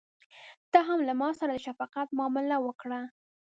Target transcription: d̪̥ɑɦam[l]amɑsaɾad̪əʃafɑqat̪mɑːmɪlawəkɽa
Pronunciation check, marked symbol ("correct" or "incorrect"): correct